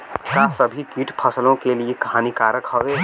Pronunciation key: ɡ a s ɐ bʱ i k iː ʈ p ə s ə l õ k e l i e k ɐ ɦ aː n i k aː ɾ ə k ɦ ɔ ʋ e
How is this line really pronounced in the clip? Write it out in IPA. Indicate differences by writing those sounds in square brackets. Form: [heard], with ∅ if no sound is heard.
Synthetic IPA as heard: [k] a s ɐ bʱ i k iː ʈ [pʰ] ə s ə l õ k e l i e k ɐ ɦ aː n i k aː ɾ ə k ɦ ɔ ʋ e